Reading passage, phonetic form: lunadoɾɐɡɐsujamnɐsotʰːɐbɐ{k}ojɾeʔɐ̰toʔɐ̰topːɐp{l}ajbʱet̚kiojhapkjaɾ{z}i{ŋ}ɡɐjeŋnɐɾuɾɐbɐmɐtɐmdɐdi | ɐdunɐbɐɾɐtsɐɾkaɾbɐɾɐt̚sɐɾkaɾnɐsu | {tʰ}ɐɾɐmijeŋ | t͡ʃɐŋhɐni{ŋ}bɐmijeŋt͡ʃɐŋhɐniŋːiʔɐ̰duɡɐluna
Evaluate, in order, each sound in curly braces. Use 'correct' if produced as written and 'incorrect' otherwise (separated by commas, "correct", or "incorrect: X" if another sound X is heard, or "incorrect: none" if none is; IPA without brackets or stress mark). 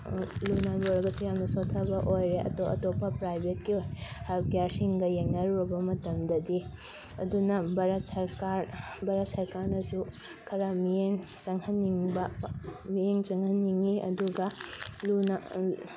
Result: incorrect: ʔ, incorrect: ɾ, incorrect: s, correct, incorrect: kʰ, correct